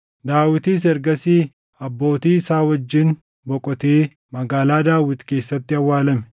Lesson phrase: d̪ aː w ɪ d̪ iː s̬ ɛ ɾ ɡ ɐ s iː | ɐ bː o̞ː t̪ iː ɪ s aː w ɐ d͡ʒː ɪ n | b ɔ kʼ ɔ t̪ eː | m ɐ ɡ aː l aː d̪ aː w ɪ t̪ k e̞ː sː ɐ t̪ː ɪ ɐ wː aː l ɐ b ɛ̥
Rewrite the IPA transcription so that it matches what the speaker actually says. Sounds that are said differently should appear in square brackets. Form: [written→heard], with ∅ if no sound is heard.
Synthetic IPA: d̪ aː w ɪ [d̪→t̪] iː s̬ ɛ ɾ ɡ ɐ s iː | ɐ bː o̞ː t̪ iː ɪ s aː w ɐ d͡ʒː ɪ n | b ɔ kʼ ɔ t̪ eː | m ɐ ɡ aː l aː d̪ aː w ɪ t̪ k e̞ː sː ɐ t̪ː ɪ ɐ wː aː l ɐ [b→m] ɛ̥